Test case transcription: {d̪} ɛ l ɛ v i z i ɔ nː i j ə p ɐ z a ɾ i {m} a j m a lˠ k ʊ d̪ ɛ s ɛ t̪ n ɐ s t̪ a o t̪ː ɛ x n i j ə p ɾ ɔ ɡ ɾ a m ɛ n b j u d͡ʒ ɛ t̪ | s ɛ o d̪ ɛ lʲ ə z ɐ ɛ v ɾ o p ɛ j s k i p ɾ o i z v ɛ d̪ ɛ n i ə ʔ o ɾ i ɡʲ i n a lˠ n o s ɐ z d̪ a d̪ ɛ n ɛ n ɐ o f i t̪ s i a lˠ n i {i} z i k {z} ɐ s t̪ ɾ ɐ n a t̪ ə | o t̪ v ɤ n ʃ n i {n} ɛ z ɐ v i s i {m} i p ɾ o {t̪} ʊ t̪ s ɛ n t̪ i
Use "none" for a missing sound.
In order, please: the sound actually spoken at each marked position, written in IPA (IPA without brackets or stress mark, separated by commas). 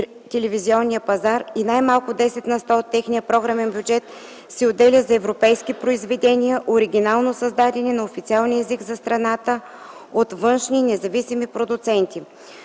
t̪, n, ɛ, z, n, m, d̪